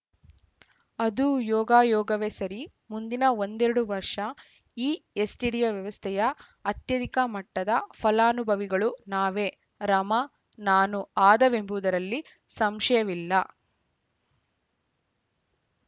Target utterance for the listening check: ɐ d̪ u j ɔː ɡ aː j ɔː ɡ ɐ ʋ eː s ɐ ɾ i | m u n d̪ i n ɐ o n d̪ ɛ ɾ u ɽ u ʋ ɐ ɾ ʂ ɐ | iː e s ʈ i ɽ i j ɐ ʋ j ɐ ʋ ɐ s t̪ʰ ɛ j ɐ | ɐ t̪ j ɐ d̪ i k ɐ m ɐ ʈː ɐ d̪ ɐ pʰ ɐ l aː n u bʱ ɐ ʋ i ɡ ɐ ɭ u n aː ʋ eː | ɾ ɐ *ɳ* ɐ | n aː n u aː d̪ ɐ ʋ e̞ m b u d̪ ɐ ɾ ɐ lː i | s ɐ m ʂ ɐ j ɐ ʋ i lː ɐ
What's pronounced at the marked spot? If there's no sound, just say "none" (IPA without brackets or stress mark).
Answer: m